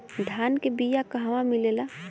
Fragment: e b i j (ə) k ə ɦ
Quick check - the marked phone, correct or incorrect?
incorrect